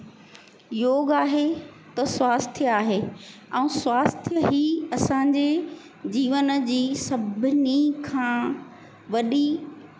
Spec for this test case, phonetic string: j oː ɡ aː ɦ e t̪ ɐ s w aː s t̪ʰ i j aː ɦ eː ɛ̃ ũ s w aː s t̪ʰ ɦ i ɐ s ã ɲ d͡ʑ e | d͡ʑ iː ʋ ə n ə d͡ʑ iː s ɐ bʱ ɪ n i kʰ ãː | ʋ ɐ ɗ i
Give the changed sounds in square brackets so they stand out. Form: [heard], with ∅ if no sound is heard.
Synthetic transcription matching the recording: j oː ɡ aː ɦ e t̪ ɐ s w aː s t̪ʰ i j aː ɦ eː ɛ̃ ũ s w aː s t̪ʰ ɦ i ɐ s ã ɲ d͡ʑ e | d͡ʑ iː ʋ ə n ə d͡ʑ iː s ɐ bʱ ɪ n i kʰ ãː | ʋ ɐ ɗ i